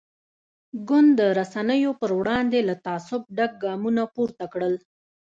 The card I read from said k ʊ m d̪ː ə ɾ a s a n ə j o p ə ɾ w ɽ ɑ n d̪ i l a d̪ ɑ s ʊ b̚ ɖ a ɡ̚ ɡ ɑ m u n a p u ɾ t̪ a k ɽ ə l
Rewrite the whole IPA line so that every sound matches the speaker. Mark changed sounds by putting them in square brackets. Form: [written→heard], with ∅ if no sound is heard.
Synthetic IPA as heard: [k→ɡ] ʊ [m→n] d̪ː ə ɾ a s a n ə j o p ə ɾ w ɽ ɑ n d̪ [i→e] l a [d̪→t̪] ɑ s ʊ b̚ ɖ a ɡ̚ ɡ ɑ m u n a p u ɾ t̪ a k ɽ ə l